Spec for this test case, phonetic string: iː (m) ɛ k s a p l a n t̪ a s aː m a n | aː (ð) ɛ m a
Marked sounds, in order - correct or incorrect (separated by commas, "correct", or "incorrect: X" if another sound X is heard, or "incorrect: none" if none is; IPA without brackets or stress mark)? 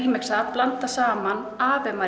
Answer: correct, incorrect: v